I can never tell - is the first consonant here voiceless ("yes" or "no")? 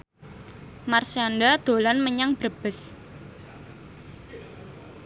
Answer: no